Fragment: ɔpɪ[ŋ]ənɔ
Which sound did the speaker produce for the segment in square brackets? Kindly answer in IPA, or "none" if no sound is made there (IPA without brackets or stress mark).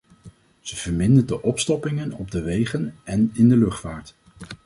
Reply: ŋ